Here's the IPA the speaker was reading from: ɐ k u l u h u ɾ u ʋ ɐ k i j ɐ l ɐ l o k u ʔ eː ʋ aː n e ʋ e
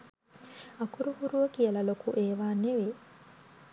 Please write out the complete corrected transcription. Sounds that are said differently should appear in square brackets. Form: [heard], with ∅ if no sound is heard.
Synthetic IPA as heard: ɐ k u [ɾ] u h u ɾ u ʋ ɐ k i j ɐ l ɐ l o k u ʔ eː ʋ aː n e ʋ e